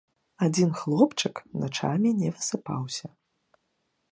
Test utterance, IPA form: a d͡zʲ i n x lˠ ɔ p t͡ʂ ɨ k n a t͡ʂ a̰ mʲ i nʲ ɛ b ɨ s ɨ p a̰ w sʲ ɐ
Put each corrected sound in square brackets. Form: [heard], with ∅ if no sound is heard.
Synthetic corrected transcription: a d͡zʲ i n x lˠ ɔ p t͡ʂ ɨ k n a t͡ʂ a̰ mʲ i nʲ ɛ [v] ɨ s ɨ p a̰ w sʲ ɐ

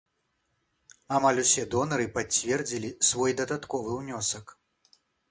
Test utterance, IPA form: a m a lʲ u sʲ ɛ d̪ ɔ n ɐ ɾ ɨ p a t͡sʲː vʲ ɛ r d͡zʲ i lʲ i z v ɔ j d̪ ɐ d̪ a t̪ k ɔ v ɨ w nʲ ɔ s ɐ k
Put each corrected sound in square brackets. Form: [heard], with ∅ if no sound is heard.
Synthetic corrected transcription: a m a lʲ u sʲ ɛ d̪ ɔ n ɐ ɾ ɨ p a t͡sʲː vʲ ɛ r d͡zʲ i lʲ i [s] v ɔ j d̪ ɐ d̪ a t̪ k ɔ v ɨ w nʲ ɔ s ɐ k

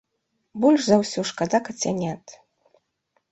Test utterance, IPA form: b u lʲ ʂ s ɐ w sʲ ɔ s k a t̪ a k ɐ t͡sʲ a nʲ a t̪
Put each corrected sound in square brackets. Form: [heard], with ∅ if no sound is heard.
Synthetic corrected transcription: b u lʲ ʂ [z] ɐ w sʲ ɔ [ʂ] k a [d̪] a k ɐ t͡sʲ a nʲ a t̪

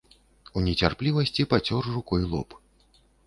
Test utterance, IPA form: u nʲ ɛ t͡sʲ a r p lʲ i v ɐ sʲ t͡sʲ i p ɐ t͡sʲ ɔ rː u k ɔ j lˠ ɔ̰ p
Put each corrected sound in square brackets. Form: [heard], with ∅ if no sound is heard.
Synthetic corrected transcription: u nʲ ɛ t͡sʲ a r p lʲ i v ɐ sʲ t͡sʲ i p [a] t͡sʲ ɔ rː u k ɔ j lˠ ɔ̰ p

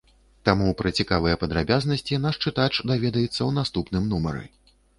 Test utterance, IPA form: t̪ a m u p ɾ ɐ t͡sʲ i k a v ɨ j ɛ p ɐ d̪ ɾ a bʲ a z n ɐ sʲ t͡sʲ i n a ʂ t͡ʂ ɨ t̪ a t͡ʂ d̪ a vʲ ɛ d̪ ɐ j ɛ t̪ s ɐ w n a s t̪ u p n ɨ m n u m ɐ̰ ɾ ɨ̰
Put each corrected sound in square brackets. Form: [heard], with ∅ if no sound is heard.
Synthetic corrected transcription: t̪ a m u p ɾ ɐ t͡sʲ i k a v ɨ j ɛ p ɐ d̪ ɾ a bʲ a z n ɐ sʲ t͡sʲ i n a ʂ t͡ʂ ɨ t̪ a t͡ʂ d̪ a vʲ ɛ d̪ ɐ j ɛ t̪ [sː] ɐ w n a s t̪ u p n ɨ m n u m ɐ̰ ɾ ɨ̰

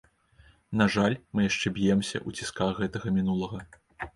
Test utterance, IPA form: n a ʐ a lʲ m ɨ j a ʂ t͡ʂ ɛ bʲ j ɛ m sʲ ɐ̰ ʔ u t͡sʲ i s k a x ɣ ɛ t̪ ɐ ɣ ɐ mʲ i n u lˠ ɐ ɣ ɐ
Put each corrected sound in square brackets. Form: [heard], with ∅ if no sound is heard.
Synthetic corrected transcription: n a ʐ a lʲ m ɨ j a ʂ t͡ʂ ɛ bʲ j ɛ m sʲ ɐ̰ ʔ u t͡sʲ i s k a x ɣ ɛ t̪ ɐ ɣ ɐ mʲ i n u lˠ ɐ ɣ ɐ

